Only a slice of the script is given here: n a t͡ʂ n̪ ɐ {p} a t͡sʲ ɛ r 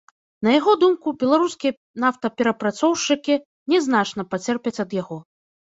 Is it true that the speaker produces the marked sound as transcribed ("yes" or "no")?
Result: yes